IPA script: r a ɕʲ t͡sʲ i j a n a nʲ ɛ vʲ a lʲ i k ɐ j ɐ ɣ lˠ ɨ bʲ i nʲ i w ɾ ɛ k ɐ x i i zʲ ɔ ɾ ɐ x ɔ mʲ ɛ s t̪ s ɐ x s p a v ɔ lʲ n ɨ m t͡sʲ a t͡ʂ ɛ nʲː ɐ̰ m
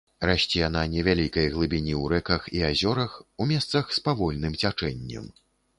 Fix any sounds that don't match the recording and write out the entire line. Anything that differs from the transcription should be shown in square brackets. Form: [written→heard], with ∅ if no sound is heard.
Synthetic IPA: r a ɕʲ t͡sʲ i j a n a nʲ ɛ vʲ a lʲ i k ɐ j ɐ ɣ lˠ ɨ bʲ i nʲ i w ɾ ɛ k ɐ x i [i→a] zʲ ɔ ɾ ɐ x [ɔ→u] mʲ ɛ s t̪ s ɐ x s p a v ɔ lʲ n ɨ m t͡sʲ a t͡ʂ ɛ nʲː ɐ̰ m